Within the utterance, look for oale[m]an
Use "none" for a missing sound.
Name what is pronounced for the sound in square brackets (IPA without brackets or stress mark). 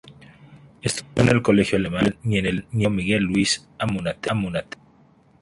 m